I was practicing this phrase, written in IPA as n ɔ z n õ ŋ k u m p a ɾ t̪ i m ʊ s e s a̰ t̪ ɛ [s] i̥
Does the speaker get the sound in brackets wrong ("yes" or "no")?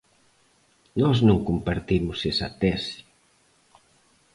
no